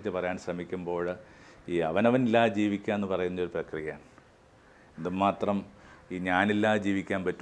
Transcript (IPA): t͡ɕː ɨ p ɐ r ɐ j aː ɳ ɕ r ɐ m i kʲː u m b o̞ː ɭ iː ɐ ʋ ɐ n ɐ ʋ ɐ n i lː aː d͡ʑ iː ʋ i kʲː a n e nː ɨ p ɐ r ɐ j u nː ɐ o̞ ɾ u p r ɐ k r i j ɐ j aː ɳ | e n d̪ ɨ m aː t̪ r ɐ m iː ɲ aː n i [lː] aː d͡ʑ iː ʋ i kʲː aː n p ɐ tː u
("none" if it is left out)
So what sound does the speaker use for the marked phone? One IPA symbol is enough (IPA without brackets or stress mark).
lː